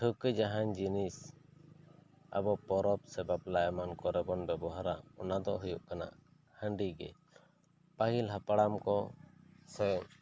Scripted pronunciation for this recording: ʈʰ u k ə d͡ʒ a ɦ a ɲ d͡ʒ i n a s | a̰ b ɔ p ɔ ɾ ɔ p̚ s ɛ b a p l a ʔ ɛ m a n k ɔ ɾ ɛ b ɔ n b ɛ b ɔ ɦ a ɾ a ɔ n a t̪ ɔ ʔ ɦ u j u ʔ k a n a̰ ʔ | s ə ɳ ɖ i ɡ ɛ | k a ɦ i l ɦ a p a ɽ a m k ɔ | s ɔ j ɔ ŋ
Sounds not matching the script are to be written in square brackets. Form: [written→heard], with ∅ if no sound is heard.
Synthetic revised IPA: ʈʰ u k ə d͡ʒ a ɦ a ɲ d͡ʒ i n [a→i] s | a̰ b ɔ p ɔ ɾ ɔ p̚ s ɛ b a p l a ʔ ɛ m a n k ɔ ɾ ɛ b ɔ n b ɛ b ɔ ɦ a ɾ a ɔ n a [t̪→d̪] ɔ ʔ ɦ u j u ʔ k a n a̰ ʔ | [s→h] ə ɳ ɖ i ɡ ɛ | [k→p] a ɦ i l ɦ a p a ɽ a m k ɔ | s ɔ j ɔ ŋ